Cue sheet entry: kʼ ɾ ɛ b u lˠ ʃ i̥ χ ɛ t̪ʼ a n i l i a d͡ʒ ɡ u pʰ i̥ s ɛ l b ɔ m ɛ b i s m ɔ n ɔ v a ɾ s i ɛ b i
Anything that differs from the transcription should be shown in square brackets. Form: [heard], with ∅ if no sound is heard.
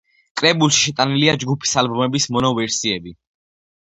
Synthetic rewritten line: kʼ ɾ ɛ b u lˠ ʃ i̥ [ʃ] ɛ t̪ʼ a n i l i a d͡ʒ ɡ u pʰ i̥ s [a] l b ɔ m ɛ b i s m ɔ n ɔ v [ɛ] ɾ s i ɛ b i